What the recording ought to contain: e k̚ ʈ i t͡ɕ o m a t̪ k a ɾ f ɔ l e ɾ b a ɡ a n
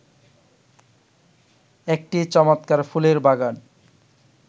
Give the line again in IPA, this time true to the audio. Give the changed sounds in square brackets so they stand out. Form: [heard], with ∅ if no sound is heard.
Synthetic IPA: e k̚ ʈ i t͡ɕ [ɔ] m a t̪ k a ɾ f [u] l e ɾ b a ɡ a n